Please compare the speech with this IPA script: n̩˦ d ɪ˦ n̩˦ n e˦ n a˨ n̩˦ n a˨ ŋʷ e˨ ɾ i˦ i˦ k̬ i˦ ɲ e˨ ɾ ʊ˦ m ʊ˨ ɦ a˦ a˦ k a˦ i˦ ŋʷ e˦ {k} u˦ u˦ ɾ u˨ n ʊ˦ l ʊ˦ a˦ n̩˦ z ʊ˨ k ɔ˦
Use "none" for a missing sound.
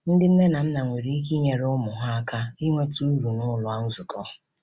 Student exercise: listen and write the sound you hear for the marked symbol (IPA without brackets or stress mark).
t